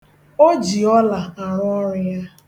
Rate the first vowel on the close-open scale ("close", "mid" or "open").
mid